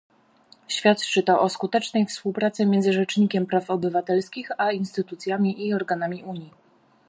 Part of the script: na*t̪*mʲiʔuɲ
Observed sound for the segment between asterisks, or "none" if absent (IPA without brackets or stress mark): none